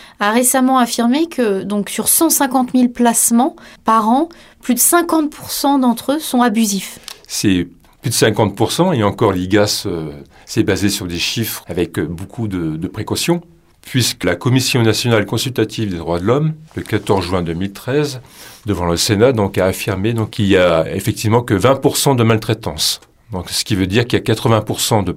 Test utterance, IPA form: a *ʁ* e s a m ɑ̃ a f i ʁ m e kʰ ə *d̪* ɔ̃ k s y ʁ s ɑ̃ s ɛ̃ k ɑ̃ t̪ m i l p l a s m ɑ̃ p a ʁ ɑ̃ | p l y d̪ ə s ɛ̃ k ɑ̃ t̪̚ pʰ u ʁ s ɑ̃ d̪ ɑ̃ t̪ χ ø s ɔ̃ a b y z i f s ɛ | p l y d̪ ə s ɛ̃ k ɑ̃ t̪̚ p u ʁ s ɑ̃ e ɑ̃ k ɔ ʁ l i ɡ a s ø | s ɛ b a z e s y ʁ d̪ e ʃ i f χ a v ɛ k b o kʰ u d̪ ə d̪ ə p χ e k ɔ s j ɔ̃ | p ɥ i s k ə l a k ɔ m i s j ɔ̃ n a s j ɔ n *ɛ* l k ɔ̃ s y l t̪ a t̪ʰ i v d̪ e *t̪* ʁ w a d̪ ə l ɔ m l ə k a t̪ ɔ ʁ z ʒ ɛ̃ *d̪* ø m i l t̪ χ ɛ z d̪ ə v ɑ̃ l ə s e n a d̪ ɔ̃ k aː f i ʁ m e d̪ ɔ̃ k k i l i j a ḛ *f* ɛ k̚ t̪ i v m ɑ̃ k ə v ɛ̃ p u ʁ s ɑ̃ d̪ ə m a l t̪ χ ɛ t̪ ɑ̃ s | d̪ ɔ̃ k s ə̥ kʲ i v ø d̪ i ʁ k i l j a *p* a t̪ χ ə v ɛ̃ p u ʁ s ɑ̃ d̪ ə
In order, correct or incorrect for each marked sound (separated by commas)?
correct, correct, incorrect, incorrect, correct, correct, incorrect